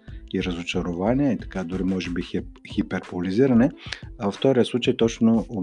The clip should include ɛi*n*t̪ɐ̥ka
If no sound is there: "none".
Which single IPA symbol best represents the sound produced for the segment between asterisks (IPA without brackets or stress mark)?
none